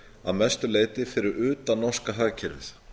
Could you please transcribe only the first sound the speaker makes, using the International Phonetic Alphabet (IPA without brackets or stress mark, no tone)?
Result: a